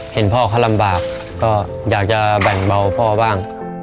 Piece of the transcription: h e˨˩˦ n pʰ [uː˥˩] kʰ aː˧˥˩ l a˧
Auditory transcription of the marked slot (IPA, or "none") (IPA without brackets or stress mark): ɔː˥˩